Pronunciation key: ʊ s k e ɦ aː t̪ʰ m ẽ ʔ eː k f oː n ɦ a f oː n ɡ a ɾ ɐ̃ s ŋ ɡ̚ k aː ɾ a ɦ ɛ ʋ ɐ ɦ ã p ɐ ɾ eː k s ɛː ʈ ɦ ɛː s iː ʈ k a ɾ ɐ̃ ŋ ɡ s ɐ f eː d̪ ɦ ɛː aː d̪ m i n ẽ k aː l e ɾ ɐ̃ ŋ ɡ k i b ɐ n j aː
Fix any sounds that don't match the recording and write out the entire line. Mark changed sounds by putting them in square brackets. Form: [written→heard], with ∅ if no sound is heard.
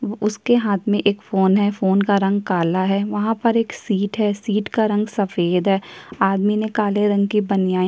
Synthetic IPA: ʊ s k e ɦ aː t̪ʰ m ẽ ʔ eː k f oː n ɦ [a→ɛ] f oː n [ɡ→k] a ɾ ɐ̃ [s→∅] ŋ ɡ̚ k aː [ɾ→l] a ɦ ɛ ʋ ɐ ɦ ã p ɐ ɾ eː k s [ɛː→iː] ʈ ɦ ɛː s iː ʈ k a ɾ ɐ̃ ŋ ɡ s ɐ f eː d̪ ɦ ɛː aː d̪ m i n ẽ k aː l e ɾ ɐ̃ ŋ ɡ k i b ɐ n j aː

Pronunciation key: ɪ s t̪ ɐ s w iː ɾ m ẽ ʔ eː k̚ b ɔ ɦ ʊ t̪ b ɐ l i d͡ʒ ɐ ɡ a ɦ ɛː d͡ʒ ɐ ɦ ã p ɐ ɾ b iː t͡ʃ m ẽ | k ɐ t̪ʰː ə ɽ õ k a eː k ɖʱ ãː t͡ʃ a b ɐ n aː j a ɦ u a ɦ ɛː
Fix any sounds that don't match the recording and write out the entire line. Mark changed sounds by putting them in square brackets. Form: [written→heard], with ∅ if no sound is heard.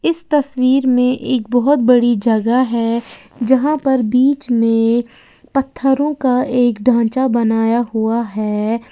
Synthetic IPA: ɪ s t̪ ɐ s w iː ɾ m ẽ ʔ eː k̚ b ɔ ɦ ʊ t̪ b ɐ [l→ɽ] i d͡ʒ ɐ ɡ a ɦ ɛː d͡ʒ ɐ ɦ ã p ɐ ɾ b iː t͡ʃ m ẽ | [k→p] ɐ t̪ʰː ə [ɽ→ɾ] õ k a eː k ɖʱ ãː t͡ʃ a b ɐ n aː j a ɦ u a ɦ ɛː

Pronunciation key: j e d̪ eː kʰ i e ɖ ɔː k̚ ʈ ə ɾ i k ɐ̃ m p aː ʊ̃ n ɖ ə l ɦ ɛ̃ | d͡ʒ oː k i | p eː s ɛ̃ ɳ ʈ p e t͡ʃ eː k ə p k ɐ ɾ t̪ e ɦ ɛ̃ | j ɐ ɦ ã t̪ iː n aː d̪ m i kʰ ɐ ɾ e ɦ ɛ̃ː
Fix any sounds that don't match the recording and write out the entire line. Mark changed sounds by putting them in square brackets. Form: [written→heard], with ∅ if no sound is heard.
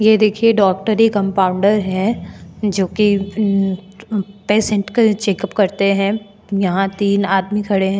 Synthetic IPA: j e d̪ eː kʰ i e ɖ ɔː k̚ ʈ ə ɾ i k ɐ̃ m p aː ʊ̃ [n→ɳ] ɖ ə [l→ɾ] ɦ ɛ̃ | d͡ʒ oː k i | p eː s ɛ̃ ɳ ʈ [p→k] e t͡ʃ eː k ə p k ɐ ɾ t̪ e ɦ ɛ̃ | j ɐ ɦ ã t̪ iː n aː d̪ m i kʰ ɐ [ɾ→ɽ] e ɦ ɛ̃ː

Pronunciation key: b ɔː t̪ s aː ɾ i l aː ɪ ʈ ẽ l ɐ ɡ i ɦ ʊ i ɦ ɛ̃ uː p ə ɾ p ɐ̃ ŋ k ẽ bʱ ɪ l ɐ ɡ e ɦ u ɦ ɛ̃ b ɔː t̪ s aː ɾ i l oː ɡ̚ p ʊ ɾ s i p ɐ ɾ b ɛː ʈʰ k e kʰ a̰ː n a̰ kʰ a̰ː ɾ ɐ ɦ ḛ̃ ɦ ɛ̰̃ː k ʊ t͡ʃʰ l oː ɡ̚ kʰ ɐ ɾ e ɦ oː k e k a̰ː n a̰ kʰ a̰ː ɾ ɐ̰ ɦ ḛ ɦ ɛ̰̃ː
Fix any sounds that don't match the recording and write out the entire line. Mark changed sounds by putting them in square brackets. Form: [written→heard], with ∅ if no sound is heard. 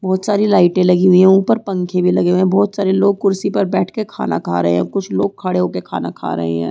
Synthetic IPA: b ɔː t̪ s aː ɾ i l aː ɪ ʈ ẽ l ɐ ɡ i ɦ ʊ i ɦ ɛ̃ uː p ə ɾ p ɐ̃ ŋ [k→kʰ] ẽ bʱ [ɪ→i] l ɐ ɡ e ɦ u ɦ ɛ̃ b ɔː t̪ s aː ɾ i l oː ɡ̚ [p→k] ʊ ɾ s i p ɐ ɾ b ɛː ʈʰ k e kʰ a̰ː n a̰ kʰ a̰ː ɾ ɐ ɦ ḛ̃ ɦ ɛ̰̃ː k ʊ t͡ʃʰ l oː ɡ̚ kʰ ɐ [ɾ→ɽ] e ɦ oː k e [k→kʰ] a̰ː n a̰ kʰ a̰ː ɾ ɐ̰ ɦ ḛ ɦ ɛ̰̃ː

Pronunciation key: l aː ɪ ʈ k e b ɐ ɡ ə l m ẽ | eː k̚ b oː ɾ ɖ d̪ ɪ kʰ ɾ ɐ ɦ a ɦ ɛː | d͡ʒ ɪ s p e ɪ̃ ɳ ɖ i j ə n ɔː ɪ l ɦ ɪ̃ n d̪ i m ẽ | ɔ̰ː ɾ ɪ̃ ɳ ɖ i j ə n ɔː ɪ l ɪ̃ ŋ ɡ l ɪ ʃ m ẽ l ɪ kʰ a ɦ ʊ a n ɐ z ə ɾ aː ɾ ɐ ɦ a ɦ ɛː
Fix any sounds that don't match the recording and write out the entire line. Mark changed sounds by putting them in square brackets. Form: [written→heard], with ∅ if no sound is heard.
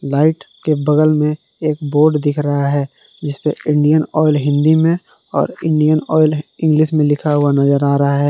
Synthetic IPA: l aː ɪ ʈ k e b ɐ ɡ ə l m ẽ | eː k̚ b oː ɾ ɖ d̪ ɪ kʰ ɾ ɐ ɦ a ɦ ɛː | d͡ʒ ɪ s p e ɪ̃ ɳ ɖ i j ə n ɔː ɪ l ɦ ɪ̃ n d̪ i m ẽ | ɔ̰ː ɾ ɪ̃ ɳ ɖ i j ə n ɔː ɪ l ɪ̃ ŋ ɡ l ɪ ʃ m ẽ l ɪ kʰ a ɦ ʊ a n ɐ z ə ɾ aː ɾ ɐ ɦ a ɦ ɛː

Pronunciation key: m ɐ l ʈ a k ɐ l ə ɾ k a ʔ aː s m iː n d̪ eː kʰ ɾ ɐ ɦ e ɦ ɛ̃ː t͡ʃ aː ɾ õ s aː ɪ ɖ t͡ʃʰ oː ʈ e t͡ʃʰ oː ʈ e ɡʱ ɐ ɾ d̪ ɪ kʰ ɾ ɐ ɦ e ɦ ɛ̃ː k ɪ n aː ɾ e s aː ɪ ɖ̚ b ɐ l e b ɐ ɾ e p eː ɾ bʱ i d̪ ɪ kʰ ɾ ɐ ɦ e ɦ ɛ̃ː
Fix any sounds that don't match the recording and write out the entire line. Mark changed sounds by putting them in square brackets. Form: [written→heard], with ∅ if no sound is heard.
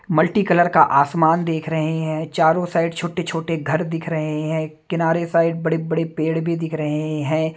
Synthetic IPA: m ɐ l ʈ [a→i] k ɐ l ə ɾ k a ʔ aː s m [iː→aː] n d̪ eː kʰ ɾ ɐ ɦ e ɦ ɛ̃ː t͡ʃ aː ɾ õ s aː ɪ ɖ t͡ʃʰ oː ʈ e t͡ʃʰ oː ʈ e ɡʱ ɐ ɾ d̪ ɪ kʰ ɾ ɐ ɦ e ɦ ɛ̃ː k ɪ n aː ɾ e s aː ɪ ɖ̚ b ɐ [l→ɽ] e b ɐ [ɾ→ɽ] e p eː [ɾ→ɽ] bʱ i d̪ ɪ kʰ ɾ ɐ ɦ e ɦ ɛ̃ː

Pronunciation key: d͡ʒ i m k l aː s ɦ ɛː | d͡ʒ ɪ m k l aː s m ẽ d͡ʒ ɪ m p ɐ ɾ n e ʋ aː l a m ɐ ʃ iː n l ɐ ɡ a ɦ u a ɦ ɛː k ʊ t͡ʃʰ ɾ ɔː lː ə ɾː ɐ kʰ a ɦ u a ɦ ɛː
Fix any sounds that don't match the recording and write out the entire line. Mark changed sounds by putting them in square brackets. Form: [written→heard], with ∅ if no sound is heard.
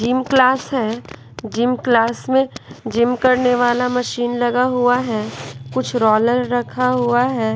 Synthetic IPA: d͡ʒ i m k l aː s ɦ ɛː | d͡ʒ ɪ m k l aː s m ẽ d͡ʒ ɪ m [p→k] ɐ ɾ n e ʋ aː l a m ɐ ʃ iː n l ɐ ɡ a ɦ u a ɦ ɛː k ʊ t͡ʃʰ ɾ ɔː [lː→l] ə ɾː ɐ kʰ a ɦ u a ɦ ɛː

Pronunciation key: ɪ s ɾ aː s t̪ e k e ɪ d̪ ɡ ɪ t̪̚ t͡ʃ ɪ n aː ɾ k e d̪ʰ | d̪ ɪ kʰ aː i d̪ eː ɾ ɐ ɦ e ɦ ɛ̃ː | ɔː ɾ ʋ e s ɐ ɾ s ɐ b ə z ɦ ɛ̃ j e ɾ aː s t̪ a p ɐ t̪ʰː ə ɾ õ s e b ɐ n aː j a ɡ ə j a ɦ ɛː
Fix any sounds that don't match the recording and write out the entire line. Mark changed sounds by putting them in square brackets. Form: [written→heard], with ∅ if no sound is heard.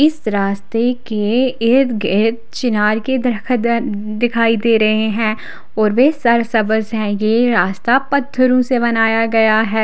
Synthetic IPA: ɪ s ɾ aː s t̪ e k e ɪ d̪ ɡ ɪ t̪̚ t͡ʃ ɪ n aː ɾ k e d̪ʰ | d̪ ɪ kʰ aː i d̪ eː ɾ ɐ ɦ e ɦ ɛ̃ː | ɔː ɾ ʋ e s ɐ ɾ s ɐ b ə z ɦ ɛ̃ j e ɾ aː s t̪ a p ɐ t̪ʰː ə ɾ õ s e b ɐ n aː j a ɡ [ə→ɐ] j a ɦ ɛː

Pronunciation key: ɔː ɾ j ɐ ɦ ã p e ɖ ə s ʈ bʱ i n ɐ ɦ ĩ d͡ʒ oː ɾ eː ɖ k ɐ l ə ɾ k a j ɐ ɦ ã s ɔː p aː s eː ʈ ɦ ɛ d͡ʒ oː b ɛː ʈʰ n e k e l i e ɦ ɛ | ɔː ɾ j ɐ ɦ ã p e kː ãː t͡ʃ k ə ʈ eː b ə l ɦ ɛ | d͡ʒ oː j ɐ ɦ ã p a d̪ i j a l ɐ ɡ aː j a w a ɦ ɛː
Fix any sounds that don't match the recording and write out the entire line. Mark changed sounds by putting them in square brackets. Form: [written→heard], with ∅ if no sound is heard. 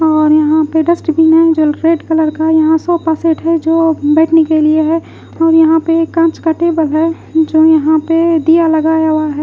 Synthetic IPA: ɔː ɾ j ɐ ɦ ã p e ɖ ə s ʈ bʱ i n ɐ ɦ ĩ d͡ʒ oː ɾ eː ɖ k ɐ l ə ɾ k a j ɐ ɦ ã s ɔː p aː s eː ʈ ɦ ɛ d͡ʒ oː b ɛː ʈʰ n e k e l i e ɦ ɛ | ɔː ɾ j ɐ ɦ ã p e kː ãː t͡ʃ k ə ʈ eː b ə l ɦ ɛ | d͡ʒ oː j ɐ ɦ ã p [a→e] d̪ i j a l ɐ ɡ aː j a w a ɦ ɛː

